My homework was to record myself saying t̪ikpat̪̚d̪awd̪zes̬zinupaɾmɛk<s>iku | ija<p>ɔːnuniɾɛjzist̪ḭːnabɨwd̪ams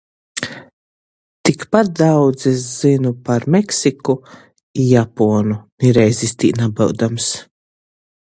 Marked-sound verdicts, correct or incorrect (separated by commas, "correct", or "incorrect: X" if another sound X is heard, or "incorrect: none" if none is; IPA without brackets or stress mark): correct, correct